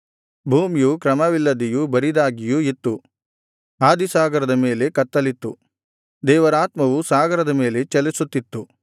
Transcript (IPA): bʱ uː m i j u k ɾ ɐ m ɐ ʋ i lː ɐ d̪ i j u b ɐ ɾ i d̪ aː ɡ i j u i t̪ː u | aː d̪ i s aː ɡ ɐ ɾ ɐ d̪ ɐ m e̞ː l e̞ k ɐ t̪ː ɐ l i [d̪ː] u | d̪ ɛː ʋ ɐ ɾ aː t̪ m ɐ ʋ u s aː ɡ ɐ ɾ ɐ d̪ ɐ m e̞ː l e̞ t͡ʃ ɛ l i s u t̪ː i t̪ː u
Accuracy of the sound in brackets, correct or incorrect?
incorrect